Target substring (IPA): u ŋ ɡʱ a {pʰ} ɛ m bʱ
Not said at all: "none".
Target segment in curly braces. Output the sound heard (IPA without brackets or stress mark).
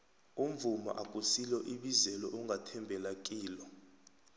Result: tʰ